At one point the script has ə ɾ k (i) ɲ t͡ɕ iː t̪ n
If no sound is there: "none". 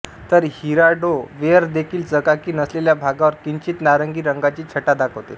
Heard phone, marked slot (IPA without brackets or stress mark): i